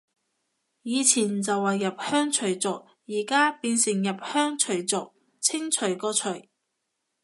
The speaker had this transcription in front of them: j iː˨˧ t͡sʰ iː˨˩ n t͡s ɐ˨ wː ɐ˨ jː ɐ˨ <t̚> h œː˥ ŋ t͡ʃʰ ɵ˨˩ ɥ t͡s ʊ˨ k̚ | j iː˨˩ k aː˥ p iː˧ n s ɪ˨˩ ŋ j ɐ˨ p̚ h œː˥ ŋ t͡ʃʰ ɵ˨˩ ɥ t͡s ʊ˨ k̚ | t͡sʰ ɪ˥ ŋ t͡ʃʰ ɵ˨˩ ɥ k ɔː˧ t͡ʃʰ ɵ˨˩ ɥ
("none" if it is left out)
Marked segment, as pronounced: p̚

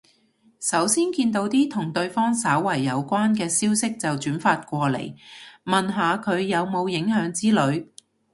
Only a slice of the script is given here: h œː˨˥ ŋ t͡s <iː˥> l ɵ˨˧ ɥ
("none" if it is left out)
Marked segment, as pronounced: iː˥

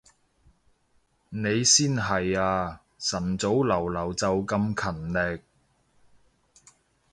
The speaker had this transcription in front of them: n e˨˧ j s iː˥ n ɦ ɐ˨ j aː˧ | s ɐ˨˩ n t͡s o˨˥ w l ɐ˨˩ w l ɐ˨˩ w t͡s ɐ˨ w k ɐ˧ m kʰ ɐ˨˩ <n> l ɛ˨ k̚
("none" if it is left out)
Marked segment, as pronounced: n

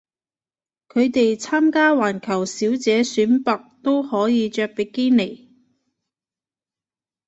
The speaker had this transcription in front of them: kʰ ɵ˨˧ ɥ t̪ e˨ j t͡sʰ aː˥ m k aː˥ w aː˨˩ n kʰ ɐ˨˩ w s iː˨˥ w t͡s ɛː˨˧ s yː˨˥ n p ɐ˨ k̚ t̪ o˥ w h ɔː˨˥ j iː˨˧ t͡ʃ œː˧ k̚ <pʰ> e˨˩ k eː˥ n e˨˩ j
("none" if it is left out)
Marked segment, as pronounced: p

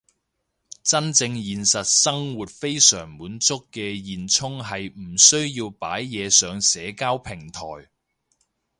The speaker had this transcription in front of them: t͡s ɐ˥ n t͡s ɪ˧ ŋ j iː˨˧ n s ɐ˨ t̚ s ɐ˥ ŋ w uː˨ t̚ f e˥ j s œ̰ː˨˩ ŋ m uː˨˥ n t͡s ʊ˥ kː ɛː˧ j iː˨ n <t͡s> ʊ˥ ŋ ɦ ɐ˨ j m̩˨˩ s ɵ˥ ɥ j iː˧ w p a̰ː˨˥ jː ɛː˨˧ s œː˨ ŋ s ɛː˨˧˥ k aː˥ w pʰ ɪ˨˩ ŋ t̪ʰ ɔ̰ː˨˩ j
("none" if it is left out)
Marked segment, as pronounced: t͡sʰ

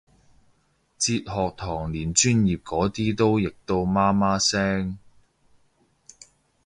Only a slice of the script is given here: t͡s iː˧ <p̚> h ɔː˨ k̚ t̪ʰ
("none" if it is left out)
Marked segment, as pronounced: t̚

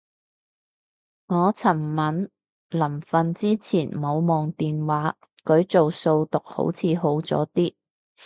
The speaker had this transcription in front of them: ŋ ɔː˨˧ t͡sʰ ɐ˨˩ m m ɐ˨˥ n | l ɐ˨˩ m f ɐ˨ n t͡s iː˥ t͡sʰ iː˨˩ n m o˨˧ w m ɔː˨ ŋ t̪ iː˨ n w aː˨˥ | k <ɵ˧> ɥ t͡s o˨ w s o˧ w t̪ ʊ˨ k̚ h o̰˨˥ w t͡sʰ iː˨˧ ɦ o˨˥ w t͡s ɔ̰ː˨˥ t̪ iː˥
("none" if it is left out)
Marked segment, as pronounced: ɵ˨˧˥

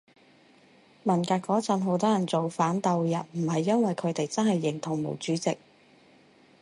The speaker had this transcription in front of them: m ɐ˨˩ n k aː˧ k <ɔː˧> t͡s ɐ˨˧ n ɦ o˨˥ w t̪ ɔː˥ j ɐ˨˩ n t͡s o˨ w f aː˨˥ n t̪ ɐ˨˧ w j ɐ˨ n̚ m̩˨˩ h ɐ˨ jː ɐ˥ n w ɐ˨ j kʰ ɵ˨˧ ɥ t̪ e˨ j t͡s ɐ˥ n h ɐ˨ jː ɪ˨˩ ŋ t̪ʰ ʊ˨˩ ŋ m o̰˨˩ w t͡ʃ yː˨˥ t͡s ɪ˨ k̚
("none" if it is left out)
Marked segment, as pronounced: ɔː˨˥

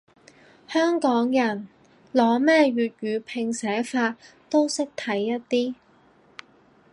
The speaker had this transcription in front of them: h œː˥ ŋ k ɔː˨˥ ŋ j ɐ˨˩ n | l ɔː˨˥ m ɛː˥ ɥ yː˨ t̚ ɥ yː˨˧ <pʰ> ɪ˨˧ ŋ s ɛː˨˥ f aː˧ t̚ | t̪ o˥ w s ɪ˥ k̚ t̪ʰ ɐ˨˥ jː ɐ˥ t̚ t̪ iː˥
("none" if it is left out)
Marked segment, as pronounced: pʰ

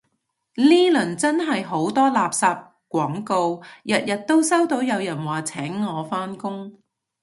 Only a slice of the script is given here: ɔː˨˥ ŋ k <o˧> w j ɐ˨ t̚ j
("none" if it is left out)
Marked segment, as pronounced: o˧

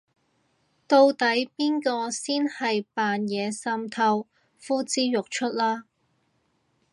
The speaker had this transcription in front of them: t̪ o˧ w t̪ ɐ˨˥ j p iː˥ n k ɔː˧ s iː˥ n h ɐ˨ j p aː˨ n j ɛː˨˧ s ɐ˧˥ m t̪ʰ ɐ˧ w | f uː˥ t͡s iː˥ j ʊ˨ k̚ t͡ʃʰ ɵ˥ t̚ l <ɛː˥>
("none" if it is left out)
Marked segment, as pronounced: aː˥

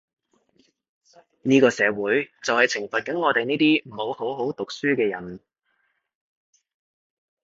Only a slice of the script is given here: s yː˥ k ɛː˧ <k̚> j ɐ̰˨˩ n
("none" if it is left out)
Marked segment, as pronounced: none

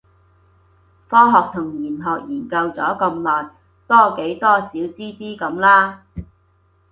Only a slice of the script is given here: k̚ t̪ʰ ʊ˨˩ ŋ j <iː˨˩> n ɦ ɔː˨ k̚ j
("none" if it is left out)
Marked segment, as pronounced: iː˨˩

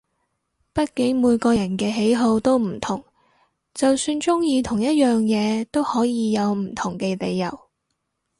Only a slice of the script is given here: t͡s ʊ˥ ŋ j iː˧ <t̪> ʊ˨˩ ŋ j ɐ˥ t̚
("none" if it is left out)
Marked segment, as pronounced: t̪ʰ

